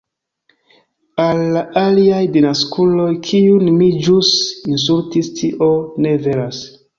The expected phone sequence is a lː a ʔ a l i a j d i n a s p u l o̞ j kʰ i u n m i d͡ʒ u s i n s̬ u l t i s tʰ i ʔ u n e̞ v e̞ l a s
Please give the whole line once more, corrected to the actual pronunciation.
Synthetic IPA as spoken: a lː a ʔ a l i a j d i n a s k u l o̞ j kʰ i u n m i d͡ʒ u s i n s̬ u l t i s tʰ i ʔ o n e̞ v e̞ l a s